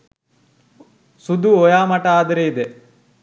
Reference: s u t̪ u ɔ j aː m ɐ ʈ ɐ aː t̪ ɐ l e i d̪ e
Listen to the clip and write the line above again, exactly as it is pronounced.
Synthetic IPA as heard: s u d̪ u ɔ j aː m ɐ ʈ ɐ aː d̪ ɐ ɾ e i d̪ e